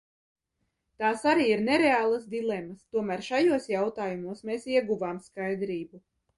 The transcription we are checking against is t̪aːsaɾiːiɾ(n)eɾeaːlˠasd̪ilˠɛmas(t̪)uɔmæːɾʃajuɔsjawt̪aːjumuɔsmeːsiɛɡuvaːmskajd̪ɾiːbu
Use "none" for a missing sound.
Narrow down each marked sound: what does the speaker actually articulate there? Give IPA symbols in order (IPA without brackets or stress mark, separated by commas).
n, t̪